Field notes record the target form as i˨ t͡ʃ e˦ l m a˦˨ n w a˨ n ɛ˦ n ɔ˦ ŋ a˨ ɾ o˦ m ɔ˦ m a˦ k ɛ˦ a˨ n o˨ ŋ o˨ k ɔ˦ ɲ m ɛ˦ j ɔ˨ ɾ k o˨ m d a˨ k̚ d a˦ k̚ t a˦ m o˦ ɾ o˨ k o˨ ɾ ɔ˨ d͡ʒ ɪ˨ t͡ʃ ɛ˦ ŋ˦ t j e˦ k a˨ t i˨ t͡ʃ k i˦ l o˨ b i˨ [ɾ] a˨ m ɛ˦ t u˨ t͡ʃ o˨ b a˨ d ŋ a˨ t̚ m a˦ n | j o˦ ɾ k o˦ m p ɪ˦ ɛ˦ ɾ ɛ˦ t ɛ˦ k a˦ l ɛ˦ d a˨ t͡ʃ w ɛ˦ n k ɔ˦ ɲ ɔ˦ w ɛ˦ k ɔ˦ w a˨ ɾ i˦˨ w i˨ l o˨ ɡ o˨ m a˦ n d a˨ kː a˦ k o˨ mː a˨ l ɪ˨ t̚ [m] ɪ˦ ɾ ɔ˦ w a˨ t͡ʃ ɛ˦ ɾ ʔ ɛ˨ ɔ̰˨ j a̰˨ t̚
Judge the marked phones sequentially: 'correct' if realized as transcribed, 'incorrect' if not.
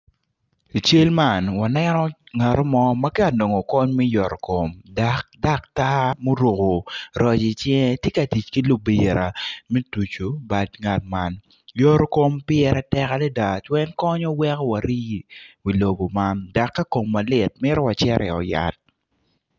correct, correct

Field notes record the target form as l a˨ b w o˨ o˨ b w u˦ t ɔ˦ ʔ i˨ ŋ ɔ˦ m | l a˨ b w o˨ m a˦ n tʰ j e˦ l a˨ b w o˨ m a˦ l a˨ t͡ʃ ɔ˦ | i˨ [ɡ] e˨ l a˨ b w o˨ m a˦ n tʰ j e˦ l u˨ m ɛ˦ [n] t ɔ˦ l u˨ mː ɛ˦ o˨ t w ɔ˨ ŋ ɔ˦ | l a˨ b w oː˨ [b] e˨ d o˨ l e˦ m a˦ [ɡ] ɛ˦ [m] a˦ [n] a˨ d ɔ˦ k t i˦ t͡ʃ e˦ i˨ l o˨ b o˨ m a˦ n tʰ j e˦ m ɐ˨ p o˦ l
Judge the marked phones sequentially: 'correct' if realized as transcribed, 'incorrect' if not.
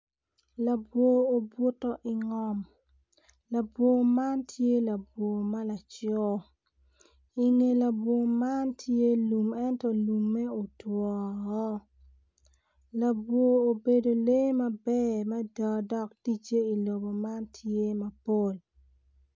incorrect: ŋ, correct, correct, incorrect: b, correct, incorrect: d

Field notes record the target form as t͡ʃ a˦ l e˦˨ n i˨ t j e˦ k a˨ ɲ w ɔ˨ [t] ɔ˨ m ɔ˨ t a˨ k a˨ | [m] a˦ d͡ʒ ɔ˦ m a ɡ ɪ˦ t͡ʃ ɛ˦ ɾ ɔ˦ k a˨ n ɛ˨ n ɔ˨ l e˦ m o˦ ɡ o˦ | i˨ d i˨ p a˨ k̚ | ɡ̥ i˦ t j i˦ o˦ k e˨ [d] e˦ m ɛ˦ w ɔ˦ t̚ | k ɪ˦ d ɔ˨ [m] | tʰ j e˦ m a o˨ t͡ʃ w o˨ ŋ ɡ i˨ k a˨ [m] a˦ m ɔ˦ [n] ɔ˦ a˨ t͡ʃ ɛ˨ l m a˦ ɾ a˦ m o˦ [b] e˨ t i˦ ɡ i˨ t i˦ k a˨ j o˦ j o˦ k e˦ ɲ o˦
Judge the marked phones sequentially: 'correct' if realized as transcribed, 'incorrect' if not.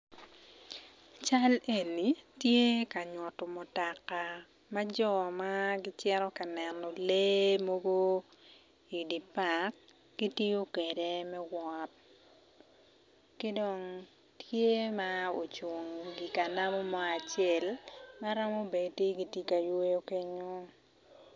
correct, correct, correct, incorrect: ŋ, incorrect: n, incorrect: m, correct

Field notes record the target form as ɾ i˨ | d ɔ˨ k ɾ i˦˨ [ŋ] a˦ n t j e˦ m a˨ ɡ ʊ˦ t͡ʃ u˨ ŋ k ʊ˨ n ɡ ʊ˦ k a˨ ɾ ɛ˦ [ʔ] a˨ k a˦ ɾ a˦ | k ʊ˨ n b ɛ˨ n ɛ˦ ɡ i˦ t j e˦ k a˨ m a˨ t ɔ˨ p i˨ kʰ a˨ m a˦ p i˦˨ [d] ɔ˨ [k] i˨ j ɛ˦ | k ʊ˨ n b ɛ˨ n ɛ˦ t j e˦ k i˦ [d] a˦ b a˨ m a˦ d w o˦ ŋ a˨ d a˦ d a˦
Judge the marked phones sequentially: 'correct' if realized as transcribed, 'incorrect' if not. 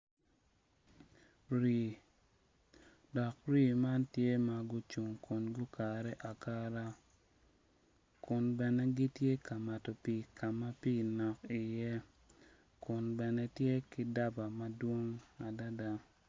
incorrect: m, correct, incorrect: n, correct, correct

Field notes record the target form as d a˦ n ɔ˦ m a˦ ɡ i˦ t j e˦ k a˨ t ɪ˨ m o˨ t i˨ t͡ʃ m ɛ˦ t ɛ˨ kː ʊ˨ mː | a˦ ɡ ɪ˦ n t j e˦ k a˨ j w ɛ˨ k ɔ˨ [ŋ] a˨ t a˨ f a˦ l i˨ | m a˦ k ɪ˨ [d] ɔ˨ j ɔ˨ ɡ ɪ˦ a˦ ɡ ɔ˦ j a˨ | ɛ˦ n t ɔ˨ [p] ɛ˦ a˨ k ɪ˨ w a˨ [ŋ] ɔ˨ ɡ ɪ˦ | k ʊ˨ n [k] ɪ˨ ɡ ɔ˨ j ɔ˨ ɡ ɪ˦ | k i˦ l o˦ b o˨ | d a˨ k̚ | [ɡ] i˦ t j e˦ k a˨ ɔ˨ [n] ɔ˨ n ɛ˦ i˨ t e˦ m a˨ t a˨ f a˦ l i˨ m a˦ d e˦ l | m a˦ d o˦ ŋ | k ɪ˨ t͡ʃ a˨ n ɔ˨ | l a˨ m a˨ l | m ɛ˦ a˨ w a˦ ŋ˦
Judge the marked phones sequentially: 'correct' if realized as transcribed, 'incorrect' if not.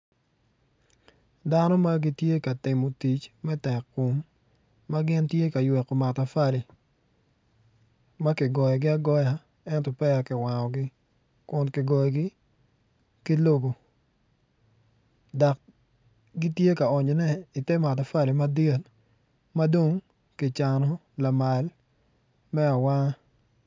incorrect: m, incorrect: ɡ, correct, correct, correct, correct, incorrect: ɲ

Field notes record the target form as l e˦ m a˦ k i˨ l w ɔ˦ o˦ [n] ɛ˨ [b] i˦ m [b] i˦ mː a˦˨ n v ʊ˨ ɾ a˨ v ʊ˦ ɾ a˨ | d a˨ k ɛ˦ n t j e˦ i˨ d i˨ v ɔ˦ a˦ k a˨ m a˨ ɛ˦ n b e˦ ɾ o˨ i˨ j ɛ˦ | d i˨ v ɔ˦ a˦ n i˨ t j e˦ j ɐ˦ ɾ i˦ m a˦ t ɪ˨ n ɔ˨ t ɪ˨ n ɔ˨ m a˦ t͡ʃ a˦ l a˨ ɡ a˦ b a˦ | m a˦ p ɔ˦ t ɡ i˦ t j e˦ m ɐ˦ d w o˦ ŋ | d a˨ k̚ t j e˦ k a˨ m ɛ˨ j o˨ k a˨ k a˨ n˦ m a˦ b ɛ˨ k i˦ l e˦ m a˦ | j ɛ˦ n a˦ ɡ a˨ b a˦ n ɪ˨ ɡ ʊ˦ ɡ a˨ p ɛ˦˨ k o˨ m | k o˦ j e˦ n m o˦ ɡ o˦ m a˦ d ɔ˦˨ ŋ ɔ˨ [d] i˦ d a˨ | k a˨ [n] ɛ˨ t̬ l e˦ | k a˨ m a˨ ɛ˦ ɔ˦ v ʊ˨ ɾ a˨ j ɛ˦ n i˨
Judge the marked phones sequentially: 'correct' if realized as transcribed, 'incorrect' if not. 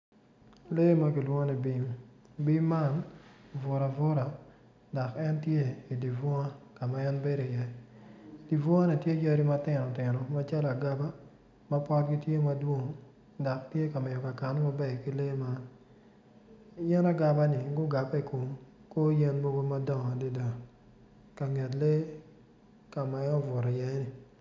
correct, correct, correct, correct, incorrect: ŋ

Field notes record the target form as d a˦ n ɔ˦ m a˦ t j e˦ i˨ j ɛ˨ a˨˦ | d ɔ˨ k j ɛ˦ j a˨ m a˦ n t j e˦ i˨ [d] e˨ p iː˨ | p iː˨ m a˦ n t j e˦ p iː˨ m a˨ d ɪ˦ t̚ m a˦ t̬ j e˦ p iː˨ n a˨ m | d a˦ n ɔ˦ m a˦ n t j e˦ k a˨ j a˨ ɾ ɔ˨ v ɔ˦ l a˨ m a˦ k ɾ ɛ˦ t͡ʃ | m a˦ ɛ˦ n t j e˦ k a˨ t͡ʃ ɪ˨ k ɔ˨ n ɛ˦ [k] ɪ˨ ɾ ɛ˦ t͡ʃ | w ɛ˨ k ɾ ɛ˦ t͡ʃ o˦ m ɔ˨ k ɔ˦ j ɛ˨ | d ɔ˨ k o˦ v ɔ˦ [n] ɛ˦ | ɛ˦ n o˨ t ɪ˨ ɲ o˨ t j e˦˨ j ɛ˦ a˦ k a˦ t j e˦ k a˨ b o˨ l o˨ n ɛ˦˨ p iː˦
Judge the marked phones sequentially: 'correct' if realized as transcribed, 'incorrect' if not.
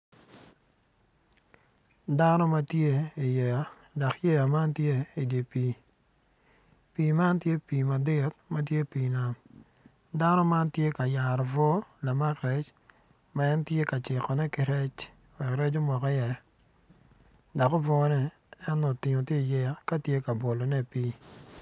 correct, correct, correct

